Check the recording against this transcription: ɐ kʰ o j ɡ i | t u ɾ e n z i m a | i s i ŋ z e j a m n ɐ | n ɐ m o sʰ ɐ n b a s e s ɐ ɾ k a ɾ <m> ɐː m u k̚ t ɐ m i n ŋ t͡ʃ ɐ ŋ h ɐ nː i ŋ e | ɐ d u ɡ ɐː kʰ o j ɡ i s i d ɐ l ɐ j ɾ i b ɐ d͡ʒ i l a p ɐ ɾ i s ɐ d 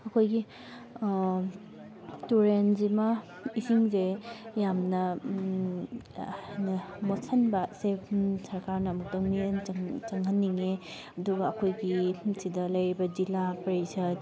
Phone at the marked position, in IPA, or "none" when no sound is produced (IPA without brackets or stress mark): n